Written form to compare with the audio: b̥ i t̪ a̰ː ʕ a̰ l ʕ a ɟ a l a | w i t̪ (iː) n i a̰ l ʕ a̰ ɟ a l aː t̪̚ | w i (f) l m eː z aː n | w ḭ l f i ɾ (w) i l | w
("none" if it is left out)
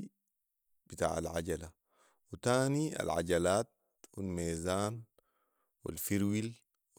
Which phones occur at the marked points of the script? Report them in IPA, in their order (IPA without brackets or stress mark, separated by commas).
aː, none, w